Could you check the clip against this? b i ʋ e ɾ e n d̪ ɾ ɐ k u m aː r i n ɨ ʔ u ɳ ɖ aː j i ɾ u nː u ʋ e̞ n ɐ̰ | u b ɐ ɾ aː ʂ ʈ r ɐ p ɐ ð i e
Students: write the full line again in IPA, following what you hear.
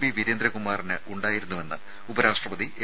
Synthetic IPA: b i ʋ i ɾ e n d̪ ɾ ɐ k u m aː r i n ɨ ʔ u ɳ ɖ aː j i ɾ u nː u ʋ e̞ nː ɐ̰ | u b ɐ ɾ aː ʂ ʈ r ɐ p ɐ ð i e